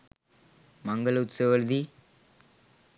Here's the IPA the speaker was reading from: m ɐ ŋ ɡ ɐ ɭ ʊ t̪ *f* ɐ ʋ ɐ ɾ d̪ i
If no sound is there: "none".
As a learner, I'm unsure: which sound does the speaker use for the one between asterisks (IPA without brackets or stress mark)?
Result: s